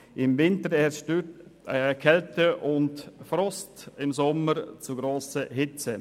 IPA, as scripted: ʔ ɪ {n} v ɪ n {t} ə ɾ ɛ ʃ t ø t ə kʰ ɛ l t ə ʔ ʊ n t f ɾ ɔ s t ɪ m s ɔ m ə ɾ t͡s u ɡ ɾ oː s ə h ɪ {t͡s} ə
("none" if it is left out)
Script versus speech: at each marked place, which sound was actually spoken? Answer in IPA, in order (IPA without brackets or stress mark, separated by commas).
m, t, t͡s